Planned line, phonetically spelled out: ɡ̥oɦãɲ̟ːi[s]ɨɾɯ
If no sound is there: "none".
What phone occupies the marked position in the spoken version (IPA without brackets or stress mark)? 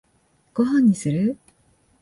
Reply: s